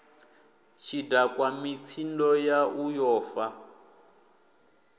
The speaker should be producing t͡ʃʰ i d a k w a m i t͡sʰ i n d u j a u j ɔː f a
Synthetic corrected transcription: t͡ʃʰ i d a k w a m i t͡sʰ i n d ɔ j a u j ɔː f a